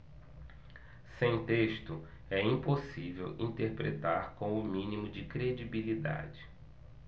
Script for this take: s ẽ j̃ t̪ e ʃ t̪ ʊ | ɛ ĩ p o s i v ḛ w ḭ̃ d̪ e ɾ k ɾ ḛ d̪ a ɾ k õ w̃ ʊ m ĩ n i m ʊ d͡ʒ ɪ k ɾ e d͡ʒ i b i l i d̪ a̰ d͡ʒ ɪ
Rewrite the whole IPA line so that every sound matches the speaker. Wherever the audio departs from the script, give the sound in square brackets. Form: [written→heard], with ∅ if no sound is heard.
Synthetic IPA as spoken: s ẽ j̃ t̪ e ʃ t̪ ʊ | ɛ ĩ p o s i v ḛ w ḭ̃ [d̪→t̪] e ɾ [k→p] ɾ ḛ [d̪→t̪] a ɾ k õ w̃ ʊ m ĩ n i m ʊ d͡ʒ ɪ k ɾ e d͡ʒ i b i l i d̪ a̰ d͡ʒ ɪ